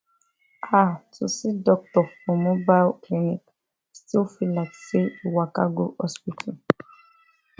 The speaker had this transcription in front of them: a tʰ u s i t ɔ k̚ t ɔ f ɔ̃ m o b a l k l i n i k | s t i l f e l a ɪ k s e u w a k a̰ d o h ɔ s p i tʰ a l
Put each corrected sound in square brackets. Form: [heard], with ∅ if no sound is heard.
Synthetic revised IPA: a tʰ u s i [d] ɔ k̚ t ɔ f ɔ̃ m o b a l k l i n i k | s t i l f [i] l a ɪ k s e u w a k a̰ [ɡ] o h ɔ s p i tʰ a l